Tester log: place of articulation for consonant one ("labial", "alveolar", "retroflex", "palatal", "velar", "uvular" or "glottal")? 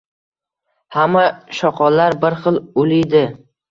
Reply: glottal